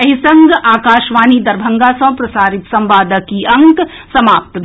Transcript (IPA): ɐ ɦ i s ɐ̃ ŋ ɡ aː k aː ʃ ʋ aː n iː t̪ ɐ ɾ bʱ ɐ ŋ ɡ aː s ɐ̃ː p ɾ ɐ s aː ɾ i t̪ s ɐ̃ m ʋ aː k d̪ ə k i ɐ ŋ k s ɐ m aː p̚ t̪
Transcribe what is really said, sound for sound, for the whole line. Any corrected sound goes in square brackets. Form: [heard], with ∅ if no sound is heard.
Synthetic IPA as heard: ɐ ɦ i s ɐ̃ ŋ ɡ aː k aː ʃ ʋ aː n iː [d̪] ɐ ɾ bʱ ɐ ŋ ɡ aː s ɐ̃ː p ɾ ɐ s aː ɾ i t̪ s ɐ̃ m ʋ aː [∅] d̪ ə k i ɐ ŋ k s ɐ m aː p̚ t̪